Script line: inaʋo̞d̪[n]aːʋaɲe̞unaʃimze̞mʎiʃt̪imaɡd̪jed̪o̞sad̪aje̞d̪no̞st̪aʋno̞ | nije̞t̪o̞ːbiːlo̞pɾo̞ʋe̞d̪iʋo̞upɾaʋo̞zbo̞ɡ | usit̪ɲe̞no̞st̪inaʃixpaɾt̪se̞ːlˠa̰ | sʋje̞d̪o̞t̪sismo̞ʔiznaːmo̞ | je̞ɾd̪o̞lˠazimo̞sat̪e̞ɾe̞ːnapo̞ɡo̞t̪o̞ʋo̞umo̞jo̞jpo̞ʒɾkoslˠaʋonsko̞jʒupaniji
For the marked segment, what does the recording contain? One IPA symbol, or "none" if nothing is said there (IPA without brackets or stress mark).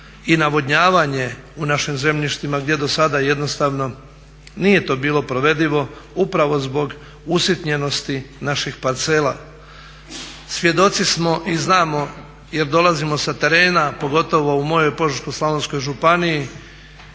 ɲ